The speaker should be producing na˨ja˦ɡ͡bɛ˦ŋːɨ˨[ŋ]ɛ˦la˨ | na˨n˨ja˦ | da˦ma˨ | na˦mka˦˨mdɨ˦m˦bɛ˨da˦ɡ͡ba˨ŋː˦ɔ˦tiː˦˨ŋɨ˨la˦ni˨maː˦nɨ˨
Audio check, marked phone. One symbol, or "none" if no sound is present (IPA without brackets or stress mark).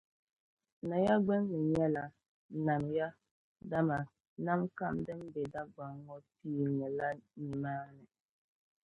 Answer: ɲ